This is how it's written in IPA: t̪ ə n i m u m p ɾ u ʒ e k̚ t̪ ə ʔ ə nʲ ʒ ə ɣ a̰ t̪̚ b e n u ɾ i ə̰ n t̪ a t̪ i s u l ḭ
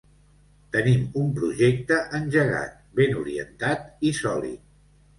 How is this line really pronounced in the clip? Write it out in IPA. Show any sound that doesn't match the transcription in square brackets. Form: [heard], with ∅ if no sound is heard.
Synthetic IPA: t̪ ə n i m u m p ɾ u ʒ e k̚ t̪ ə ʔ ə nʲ ʒ ə ɣ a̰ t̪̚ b e n u ɾ i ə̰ n t̪ a t̪ i s [ɔ] l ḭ